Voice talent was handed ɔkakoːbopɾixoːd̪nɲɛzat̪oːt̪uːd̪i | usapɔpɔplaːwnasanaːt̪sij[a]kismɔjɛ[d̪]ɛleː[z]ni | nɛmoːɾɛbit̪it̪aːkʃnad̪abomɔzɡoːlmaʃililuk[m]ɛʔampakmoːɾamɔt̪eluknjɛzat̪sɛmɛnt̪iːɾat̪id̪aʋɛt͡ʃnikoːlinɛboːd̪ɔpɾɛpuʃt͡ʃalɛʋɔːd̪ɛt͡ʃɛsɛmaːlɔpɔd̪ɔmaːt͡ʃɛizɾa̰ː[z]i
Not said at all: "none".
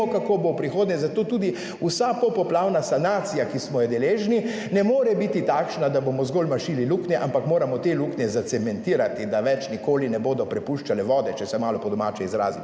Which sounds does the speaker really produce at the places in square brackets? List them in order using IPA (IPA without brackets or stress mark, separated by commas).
a, d̪, ʒ, n, z